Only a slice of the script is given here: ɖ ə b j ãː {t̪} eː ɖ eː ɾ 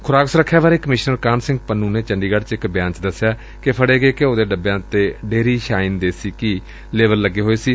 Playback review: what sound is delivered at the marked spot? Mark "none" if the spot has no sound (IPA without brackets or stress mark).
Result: t̪